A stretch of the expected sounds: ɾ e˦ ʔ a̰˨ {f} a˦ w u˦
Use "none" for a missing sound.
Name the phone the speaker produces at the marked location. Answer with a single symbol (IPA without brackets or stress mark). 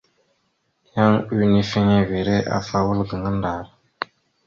f